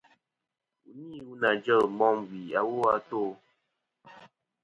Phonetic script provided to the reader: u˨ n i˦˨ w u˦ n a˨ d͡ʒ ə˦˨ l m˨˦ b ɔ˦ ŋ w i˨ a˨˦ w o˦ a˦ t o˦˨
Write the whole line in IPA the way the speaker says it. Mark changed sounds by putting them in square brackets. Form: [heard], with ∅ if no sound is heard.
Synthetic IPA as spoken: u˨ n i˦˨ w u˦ n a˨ d͡ʒ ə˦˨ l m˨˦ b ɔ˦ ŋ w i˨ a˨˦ w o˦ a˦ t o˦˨